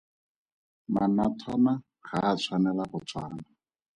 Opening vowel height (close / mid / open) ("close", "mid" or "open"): open